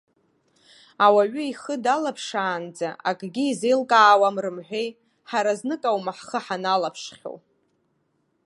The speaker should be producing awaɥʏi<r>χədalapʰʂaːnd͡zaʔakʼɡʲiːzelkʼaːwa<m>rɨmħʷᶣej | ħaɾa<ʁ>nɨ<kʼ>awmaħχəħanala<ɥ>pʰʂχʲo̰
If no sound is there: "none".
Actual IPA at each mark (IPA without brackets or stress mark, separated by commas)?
none, m, z, kʼ, none